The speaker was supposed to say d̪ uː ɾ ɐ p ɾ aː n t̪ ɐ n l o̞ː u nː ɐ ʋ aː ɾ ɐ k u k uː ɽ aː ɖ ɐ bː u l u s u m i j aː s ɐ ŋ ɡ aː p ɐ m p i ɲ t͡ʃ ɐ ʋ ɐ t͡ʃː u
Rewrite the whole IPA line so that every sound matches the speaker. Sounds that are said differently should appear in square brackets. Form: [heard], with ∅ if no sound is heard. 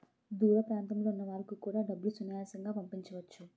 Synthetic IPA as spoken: d̪ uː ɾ ɐ p ɾ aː n t̪ ɐ [m] l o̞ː u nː ɐ ʋ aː ɾ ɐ k u k uː ɽ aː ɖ ɐ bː u l u s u [n] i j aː s ɐ ŋ ɡ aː p ɐ m p i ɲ t͡ʃ ɐ ʋ ɐ t͡ʃː u